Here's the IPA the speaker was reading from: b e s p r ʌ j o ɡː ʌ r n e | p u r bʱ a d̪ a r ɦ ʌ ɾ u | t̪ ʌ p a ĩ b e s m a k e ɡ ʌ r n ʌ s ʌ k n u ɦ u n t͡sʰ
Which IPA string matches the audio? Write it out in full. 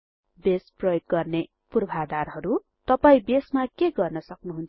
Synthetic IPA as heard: b e s p r ʌ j o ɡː ʌ r n e | p u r bʱ a d̪ a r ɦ ʌ ɾ u | t̪ ʌ p a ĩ b e s m a k e ɡ ʌ r n ʌ s ʌ k n u ɦ u n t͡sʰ